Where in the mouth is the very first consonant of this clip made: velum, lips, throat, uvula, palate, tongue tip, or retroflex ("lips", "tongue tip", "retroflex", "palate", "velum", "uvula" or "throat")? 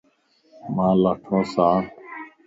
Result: lips